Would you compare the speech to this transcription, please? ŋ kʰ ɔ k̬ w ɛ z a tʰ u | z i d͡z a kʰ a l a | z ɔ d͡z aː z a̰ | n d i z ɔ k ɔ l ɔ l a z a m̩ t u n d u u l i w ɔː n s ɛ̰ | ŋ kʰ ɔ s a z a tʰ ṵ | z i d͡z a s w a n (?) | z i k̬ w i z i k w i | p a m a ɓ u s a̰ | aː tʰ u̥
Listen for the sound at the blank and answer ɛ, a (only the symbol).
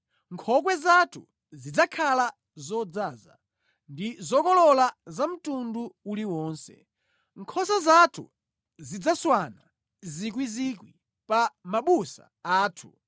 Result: a